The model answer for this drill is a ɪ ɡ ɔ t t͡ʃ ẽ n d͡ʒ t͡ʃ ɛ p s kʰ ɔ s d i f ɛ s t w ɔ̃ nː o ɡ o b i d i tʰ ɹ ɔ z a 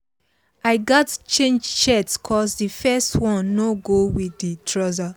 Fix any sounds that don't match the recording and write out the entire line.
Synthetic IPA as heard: a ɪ ɡ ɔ t t͡ʃ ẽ n d͡ʒ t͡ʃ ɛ t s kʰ ɔ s d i f ɛ s t w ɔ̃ nː o ɡ o w i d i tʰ ɹ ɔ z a